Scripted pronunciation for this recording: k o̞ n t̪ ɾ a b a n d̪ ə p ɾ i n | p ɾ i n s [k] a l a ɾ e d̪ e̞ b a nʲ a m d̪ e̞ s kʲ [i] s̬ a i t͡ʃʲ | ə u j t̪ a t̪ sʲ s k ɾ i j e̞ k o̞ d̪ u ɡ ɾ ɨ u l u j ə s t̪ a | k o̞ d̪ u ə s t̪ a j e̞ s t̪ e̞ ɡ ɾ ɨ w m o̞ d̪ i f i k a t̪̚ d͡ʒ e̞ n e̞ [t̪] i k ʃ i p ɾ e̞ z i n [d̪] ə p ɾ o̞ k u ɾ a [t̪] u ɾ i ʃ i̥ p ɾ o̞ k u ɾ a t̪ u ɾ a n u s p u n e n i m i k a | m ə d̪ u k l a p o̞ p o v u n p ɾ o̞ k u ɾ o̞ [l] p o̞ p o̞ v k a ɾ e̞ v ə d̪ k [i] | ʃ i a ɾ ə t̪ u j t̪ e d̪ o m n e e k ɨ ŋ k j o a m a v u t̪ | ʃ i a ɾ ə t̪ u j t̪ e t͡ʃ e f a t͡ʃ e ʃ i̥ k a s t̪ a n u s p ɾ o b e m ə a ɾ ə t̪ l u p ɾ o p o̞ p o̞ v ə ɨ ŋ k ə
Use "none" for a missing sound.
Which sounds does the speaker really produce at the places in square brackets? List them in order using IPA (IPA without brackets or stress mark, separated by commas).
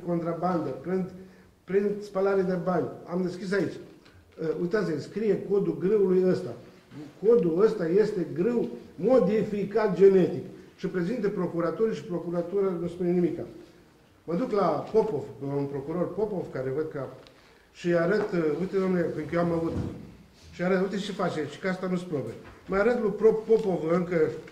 p, i, t̪, t̪, t̪, r, a